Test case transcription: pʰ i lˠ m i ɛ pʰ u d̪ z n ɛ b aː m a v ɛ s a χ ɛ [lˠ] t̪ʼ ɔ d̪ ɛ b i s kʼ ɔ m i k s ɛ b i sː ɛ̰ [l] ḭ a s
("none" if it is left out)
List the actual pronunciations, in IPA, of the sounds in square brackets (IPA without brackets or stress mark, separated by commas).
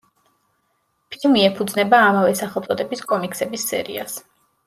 lˠ, ɾ